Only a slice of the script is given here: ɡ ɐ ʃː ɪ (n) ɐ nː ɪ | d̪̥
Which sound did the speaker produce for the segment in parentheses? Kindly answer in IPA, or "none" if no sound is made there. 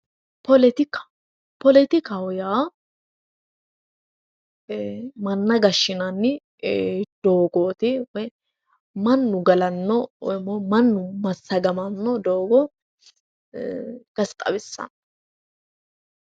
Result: n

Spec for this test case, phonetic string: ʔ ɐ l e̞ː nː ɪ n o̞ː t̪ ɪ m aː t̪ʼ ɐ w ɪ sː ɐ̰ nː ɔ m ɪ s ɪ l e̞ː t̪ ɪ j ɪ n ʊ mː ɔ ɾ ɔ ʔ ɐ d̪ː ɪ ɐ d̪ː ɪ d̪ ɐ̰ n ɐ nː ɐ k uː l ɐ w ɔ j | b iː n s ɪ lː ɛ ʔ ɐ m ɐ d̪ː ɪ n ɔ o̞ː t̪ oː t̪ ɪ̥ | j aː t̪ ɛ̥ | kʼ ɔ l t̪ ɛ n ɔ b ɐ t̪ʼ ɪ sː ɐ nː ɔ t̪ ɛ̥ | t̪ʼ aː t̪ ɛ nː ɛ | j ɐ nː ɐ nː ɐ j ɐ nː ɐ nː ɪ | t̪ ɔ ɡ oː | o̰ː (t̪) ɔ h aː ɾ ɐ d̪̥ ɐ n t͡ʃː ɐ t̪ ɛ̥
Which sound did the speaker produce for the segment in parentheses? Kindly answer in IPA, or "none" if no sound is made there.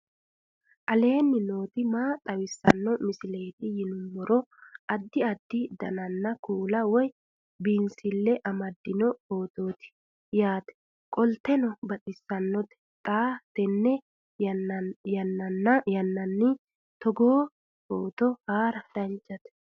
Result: t̪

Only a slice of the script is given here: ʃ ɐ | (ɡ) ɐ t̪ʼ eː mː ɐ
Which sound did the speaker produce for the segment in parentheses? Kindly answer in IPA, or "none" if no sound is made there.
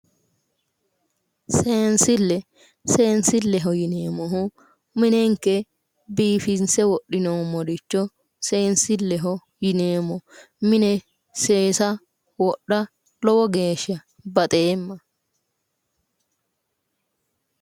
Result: b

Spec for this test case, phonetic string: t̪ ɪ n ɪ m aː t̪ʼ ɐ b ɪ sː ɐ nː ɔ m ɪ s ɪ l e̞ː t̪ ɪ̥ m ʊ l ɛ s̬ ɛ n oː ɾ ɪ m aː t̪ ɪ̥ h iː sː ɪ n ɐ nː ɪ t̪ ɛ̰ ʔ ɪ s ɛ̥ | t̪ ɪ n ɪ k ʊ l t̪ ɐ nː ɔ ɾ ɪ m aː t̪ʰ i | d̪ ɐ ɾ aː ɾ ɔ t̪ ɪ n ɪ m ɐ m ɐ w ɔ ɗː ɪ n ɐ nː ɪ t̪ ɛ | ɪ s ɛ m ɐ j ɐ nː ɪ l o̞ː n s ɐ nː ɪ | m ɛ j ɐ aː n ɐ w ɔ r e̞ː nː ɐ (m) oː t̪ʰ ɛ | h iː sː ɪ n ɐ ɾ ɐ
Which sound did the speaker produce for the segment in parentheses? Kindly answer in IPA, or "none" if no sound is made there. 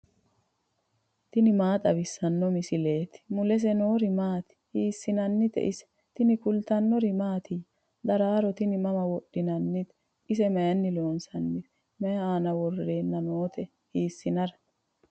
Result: n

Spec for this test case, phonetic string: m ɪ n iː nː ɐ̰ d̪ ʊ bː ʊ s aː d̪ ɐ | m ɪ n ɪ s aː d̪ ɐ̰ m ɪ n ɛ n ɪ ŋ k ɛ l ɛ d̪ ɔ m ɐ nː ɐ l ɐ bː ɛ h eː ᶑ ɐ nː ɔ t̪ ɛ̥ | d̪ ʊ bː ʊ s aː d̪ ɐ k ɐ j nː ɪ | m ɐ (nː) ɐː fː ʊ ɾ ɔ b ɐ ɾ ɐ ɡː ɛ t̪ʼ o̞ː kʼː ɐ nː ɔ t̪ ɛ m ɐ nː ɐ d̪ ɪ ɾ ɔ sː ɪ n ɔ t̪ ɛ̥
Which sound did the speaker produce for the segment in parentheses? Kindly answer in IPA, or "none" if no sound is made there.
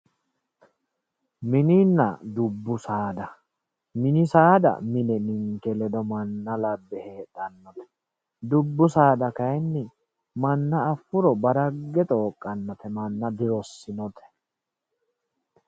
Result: nː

